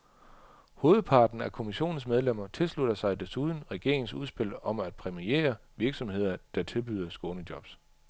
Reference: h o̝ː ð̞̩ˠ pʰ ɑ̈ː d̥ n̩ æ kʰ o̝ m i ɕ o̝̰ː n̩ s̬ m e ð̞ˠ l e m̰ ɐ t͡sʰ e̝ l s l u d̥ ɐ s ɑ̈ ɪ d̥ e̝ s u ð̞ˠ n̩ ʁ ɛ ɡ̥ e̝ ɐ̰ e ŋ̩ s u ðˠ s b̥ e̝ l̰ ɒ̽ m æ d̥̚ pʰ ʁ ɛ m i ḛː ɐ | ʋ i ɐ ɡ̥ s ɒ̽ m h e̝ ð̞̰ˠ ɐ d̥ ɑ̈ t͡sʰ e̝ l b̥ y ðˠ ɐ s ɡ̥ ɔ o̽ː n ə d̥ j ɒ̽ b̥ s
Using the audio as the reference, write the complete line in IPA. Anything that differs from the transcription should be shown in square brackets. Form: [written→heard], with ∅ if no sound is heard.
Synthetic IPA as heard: h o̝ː ð̞̩ˠ pʰ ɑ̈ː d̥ n̩ æ kʰ o̝ m i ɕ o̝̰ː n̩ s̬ m e ð̞ˠ l e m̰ ɐ t͡sʰ e̝ l s l u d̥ ɐ s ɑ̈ ɪ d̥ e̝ s u ð̞ˠ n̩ ʁ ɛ ɡ̥ e̝ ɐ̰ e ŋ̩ s u ðˠ s b̥ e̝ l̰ ɒ̽ m æ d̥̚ pʰ ʁ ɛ m i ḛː ɐ | ʋ i ɐ ɡ̥ s ɒ̽ m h e̝ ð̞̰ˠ ɐ d̥ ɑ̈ t͡sʰ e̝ l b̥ y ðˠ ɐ s ɡ̥ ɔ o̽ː n ə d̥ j ɒ̽ b̥ s